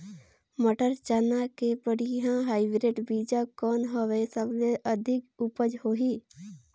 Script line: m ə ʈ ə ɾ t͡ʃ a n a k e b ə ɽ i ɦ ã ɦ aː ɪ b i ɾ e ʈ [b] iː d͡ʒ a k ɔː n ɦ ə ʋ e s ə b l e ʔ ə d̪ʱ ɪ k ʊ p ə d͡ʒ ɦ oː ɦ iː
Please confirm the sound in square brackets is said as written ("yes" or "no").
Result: yes